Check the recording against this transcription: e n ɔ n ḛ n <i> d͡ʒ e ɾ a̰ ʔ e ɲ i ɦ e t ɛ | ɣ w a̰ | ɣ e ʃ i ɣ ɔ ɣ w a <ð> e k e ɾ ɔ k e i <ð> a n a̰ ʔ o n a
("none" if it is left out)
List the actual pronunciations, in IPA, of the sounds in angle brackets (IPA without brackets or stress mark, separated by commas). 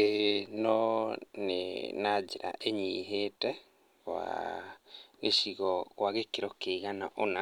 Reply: a, ɣ, ɣ